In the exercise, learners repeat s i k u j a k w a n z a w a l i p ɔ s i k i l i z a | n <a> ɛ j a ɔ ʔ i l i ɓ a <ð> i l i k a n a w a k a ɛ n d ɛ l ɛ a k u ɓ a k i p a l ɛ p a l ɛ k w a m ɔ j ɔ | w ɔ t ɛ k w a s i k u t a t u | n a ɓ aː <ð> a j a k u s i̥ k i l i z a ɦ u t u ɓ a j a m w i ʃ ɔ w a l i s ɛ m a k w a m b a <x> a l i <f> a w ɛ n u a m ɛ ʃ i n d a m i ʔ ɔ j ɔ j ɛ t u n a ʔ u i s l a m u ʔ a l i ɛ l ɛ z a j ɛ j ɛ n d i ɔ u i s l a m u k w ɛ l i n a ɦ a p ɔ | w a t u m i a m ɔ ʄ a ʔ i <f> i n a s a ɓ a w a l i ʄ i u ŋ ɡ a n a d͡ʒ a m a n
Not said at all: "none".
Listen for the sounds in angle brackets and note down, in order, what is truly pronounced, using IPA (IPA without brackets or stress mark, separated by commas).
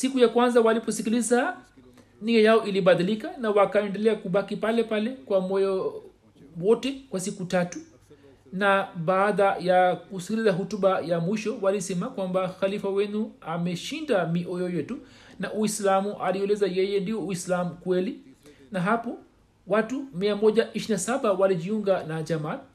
i, ð, ð, x, f, ʃ